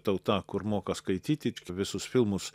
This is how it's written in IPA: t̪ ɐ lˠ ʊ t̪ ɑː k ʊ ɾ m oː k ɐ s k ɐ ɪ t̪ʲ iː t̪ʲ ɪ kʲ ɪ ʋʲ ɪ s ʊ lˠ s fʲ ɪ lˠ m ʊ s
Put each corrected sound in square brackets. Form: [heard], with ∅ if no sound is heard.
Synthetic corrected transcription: t̪ ɐ [∅] ʊ t̪ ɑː k ʊ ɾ m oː k ɐ s k ɐ ɪ t̪ʲ iː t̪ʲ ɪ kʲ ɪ ʋʲ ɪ s ʊ [∅] s fʲ ɪ lˠ m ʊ s